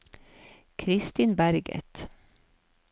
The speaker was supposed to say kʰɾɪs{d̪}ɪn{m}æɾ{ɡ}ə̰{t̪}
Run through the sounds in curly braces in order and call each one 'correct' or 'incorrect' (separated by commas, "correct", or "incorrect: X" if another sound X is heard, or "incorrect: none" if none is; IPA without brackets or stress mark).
incorrect: t̪, incorrect: b, correct, correct